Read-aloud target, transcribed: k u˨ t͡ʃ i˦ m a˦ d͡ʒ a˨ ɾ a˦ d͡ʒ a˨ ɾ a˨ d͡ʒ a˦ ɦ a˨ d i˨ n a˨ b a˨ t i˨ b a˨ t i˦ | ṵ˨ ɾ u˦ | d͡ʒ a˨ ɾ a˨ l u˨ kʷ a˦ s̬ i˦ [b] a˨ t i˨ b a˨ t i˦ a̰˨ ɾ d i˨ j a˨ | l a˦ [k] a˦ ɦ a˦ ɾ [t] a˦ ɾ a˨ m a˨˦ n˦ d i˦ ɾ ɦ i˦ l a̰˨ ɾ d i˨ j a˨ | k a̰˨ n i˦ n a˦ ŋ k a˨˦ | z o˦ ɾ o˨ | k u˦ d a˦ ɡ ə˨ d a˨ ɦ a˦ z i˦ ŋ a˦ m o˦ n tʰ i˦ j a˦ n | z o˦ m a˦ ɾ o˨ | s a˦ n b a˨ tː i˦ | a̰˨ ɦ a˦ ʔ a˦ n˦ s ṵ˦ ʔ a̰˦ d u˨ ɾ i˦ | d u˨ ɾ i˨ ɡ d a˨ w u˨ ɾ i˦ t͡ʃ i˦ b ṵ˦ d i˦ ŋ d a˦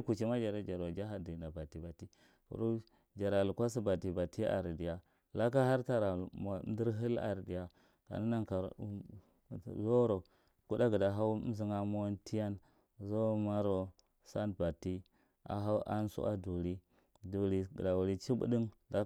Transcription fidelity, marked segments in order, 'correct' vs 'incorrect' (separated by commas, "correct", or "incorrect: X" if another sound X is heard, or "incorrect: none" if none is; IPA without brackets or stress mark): correct, correct, correct